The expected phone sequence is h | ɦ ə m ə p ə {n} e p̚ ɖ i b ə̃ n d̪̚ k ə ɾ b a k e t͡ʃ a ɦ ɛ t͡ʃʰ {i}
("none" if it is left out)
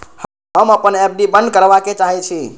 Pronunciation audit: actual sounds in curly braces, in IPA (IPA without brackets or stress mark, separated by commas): n, i